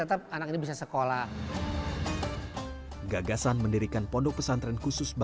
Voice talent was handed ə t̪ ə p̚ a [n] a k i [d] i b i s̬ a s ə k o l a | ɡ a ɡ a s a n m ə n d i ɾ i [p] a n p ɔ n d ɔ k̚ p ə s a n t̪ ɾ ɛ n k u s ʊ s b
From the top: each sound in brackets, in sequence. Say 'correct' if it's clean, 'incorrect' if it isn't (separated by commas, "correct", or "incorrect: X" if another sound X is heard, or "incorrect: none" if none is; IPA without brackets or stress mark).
correct, incorrect: n, incorrect: k